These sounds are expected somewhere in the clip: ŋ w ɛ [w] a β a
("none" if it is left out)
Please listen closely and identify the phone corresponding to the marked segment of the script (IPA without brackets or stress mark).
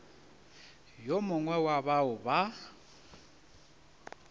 w